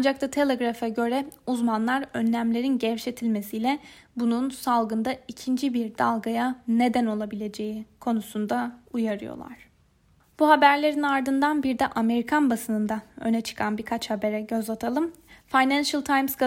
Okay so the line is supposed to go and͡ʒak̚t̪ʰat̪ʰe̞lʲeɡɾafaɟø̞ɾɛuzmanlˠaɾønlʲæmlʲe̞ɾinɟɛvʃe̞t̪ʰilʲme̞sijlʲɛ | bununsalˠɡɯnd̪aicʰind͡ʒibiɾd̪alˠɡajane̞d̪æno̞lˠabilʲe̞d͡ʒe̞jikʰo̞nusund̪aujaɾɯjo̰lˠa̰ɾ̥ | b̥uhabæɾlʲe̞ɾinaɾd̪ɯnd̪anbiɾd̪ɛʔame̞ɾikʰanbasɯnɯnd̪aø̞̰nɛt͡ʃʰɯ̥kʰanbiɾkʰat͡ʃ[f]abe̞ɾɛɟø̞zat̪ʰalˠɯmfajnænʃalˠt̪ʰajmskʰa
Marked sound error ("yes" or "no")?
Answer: yes